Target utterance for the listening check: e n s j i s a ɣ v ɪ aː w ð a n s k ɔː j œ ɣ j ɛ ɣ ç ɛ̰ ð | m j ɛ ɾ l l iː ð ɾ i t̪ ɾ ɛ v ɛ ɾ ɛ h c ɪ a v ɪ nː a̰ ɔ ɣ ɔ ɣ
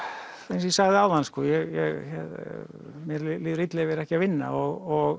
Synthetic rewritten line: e n s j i s a ɣ ð ɪ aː w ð a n s k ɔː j ɛ ɣ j ɛ ɣ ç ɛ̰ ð | m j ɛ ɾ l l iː ð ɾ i t̪ l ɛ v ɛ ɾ ɛ h c ɪ a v ɪ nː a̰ ɔ ɣ ɔ ɣ